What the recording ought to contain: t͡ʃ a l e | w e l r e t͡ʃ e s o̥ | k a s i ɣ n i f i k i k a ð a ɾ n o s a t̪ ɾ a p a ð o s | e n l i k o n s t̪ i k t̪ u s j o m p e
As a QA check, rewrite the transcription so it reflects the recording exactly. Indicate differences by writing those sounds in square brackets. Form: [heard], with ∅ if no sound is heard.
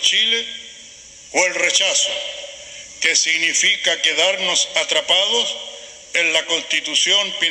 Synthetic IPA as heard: t͡ʃ [i] l e | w e l r e t͡ʃ [a] s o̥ | k [e] s i ɣ n i f i k [a] k [e] ð a ɾ n o s a t̪ ɾ a p a ð o s | e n l [a] k o n s t̪ i [∅] t̪ u s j o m p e